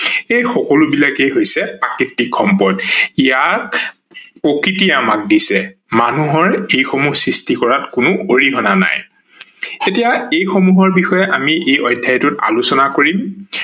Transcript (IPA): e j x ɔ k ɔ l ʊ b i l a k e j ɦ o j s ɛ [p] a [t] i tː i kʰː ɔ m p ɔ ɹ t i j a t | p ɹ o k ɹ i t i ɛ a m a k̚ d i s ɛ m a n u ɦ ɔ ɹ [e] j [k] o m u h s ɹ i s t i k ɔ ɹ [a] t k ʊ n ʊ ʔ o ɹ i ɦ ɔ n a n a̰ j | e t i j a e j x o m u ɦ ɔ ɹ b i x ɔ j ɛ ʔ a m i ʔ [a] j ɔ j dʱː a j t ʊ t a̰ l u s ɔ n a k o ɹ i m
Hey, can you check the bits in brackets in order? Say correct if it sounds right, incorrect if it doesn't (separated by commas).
correct, incorrect, correct, incorrect, correct, incorrect